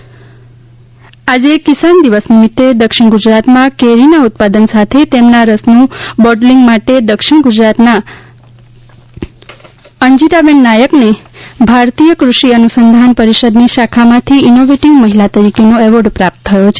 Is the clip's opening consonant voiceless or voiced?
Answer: voiced